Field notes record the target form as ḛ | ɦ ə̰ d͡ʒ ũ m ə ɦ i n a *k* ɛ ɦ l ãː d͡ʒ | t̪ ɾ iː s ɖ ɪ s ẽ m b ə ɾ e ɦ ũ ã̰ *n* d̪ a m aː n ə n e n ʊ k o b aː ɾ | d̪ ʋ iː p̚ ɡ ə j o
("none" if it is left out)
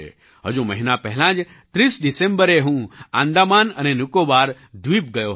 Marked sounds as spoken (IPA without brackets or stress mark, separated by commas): p, n